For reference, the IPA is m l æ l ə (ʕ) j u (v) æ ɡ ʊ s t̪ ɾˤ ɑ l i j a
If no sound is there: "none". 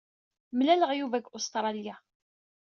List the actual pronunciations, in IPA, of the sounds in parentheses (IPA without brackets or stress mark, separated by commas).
ʁ, v